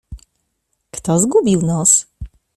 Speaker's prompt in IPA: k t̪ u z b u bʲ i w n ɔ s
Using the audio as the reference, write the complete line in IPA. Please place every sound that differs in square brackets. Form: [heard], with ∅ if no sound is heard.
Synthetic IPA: k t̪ [ɔ] z [ɡ] u bʲ i w n ɔ s